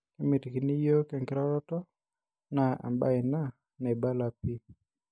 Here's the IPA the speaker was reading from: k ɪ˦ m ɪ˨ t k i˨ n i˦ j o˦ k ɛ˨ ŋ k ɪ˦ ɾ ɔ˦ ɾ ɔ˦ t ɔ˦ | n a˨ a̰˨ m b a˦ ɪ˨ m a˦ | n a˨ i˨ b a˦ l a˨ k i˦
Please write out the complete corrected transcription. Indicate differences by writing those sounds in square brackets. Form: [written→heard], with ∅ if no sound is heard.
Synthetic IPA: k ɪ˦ m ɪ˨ t k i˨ n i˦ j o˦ k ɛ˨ ŋ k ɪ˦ ɾ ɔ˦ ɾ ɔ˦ t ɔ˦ | n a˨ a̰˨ m b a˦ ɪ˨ [m→n] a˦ | n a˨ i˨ b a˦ l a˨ [k→p] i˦